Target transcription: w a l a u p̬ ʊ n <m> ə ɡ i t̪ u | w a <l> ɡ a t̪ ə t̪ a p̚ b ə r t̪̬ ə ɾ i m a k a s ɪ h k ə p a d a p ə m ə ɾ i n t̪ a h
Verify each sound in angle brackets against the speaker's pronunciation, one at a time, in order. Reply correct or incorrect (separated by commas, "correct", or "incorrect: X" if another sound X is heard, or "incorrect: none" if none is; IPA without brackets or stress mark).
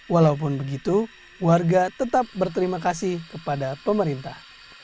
incorrect: b, incorrect: r